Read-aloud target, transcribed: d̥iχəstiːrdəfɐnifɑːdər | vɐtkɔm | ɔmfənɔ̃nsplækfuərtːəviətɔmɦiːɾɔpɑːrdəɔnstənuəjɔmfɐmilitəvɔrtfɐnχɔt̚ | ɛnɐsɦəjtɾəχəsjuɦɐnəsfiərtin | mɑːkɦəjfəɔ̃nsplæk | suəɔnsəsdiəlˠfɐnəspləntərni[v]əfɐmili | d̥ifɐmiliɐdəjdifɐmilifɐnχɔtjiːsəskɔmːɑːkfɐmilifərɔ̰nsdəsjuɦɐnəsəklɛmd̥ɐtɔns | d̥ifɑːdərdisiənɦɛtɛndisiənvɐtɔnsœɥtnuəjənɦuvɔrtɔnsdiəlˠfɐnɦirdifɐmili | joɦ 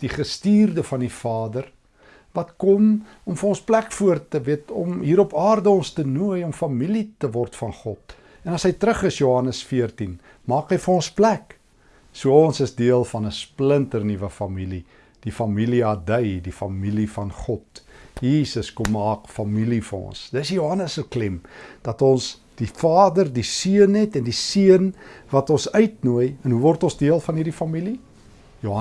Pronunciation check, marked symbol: correct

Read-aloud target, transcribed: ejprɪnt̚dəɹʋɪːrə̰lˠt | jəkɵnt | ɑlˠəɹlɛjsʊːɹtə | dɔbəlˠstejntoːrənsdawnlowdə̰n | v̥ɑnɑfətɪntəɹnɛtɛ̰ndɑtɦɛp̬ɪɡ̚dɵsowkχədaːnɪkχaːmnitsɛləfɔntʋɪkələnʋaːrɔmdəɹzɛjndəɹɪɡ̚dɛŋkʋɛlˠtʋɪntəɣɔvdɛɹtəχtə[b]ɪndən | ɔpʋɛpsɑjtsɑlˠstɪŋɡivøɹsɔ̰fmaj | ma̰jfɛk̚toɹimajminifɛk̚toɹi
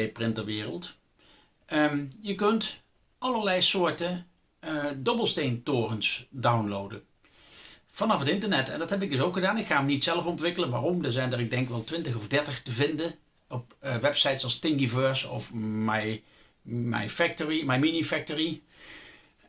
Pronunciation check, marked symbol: incorrect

